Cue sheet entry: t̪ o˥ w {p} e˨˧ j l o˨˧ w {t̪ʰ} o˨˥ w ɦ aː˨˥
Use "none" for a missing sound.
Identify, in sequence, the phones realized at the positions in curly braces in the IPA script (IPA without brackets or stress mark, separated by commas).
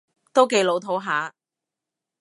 k, t̪ʰ